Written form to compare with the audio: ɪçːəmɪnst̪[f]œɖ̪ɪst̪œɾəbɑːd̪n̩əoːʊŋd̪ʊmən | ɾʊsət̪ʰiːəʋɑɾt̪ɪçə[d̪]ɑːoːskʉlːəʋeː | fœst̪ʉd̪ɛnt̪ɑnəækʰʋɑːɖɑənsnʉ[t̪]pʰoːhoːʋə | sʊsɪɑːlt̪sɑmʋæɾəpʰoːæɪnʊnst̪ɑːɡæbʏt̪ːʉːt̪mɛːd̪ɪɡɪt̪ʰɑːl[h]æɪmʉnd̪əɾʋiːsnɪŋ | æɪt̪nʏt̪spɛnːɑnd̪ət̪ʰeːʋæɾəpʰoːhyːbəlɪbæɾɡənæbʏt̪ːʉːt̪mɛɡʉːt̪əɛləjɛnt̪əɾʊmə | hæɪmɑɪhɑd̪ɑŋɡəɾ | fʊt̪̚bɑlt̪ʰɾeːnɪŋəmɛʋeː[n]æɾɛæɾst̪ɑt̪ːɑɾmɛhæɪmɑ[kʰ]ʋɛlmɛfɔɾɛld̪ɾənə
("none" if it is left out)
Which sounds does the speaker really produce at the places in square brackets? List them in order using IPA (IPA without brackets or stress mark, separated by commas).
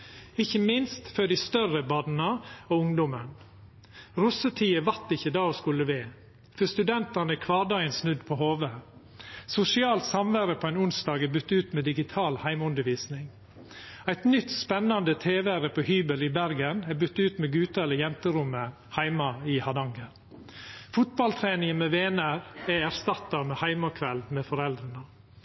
f, d̪, d̪, h, n, kʰ